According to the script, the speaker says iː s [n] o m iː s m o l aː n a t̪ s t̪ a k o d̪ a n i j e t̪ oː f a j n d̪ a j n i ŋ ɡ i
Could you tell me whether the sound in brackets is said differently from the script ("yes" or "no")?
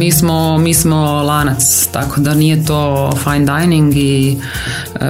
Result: yes